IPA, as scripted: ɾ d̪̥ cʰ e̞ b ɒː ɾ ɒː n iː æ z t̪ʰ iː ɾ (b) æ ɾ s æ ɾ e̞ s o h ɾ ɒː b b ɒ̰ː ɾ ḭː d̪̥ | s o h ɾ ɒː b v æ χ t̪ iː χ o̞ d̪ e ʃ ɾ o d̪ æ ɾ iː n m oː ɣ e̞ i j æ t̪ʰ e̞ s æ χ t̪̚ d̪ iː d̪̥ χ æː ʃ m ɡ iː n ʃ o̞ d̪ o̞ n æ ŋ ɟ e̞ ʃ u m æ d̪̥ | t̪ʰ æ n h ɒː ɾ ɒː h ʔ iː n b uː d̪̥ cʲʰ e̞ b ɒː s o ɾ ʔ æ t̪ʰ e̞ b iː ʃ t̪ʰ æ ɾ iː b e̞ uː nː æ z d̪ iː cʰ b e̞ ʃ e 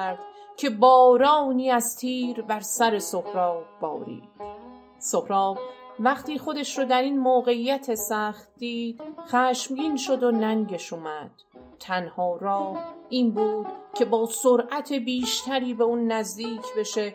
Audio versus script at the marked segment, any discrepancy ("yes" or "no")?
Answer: no